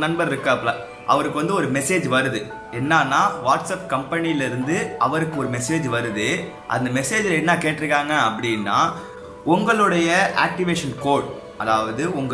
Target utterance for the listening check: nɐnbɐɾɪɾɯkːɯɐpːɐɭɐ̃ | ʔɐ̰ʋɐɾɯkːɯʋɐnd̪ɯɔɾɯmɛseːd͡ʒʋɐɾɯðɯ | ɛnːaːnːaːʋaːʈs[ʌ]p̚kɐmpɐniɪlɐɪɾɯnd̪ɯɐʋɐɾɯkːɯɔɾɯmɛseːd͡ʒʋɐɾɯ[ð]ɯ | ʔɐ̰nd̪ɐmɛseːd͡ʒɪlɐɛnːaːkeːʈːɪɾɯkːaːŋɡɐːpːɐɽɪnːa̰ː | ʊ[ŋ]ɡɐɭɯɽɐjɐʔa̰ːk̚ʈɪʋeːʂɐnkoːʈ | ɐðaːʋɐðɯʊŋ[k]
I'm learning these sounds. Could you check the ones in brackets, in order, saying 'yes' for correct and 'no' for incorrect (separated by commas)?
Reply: no, yes, yes, no